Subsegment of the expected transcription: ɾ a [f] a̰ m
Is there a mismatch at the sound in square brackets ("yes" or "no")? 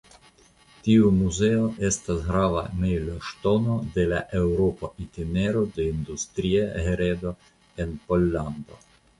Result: yes